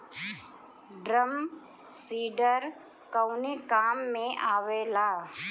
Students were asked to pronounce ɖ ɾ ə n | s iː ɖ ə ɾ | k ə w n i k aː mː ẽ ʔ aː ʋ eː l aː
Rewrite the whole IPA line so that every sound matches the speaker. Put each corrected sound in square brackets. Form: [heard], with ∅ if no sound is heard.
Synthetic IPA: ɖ ɾ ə [m] | s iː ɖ ə ɾ | k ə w n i k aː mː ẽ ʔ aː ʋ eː l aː

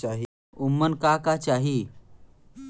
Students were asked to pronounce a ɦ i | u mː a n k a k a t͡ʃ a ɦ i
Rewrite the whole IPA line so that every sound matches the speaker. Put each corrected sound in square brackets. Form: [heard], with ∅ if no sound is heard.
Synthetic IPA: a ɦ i | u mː [ə] n k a k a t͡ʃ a ɦ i

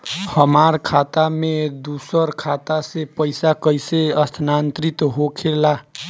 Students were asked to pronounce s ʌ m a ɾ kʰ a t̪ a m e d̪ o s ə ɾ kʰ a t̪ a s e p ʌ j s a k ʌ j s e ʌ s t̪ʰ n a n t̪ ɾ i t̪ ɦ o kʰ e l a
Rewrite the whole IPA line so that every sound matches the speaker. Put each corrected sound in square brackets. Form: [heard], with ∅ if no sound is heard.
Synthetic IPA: [h] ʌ m a ɾ kʰ a t̪ a m e d̪ [u] s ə ɾ kʰ a t̪ a s e p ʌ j s a k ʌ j s e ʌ s t̪ʰ n a n t̪ ɾ i t̪ ɦ o kʰ e l a

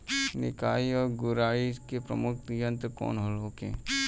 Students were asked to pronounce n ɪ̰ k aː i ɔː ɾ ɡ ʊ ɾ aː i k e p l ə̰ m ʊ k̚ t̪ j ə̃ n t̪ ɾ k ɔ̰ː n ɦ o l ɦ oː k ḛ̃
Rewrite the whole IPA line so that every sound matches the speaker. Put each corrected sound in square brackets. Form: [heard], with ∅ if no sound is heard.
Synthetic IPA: n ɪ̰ k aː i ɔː ɾ ɡ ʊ ɾ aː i k e p [ɾ] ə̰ m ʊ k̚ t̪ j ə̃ n t̪ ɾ k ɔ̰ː n ɦ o l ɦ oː k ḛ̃

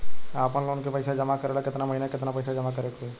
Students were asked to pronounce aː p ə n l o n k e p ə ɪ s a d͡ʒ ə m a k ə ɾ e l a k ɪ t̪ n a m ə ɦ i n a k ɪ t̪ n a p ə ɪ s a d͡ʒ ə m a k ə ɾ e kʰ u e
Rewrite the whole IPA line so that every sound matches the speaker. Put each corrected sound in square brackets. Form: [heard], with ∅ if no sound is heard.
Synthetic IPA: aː p ə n l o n k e p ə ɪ s a d͡ʒ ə m a k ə ɾ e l a k ɪ t̪ n a m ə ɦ i n a k ɪ t̪ n a p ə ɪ s a d͡ʒ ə m a k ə ɾ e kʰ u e

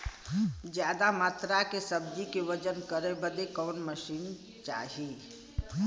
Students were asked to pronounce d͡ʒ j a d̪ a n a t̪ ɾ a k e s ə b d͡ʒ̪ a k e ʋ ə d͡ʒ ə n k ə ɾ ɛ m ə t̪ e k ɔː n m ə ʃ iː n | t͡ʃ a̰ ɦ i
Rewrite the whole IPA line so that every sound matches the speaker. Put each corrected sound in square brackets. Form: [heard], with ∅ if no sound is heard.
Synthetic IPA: d͡ʒ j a d̪ a [m] a t̪ ɾ a k e s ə b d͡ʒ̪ [i] k e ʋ ə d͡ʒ ə n k ə ɾ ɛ [b] ə [d̪] e k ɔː n m ə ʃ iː n | t͡ʃ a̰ ɦ i

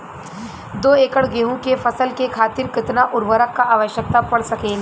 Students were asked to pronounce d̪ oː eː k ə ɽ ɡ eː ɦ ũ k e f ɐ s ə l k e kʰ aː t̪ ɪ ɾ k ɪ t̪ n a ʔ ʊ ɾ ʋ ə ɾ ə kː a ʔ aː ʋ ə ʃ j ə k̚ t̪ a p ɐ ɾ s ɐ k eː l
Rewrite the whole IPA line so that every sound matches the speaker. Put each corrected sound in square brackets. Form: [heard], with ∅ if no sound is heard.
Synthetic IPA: d̪ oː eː k ə ɽ ɡ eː ɦ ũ k e f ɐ s ə l k e kʰ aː t̪ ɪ ɾ k ɪ t̪ n a ʔ ʊ ɾ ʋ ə ɾ ə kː a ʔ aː ʋ ə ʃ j ə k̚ t̪ a p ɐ [ɽ] s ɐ k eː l

